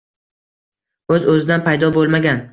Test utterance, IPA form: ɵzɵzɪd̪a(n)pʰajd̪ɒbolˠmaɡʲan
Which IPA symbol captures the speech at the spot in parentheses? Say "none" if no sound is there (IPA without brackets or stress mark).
n